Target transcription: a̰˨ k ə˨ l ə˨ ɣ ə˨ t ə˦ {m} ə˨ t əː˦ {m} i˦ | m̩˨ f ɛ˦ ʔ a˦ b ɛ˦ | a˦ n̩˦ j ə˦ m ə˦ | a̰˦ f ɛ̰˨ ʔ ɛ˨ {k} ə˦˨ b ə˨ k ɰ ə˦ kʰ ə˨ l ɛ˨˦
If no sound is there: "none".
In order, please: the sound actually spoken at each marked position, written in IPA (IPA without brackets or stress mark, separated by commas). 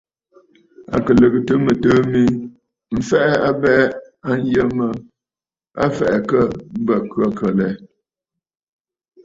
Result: m, m, k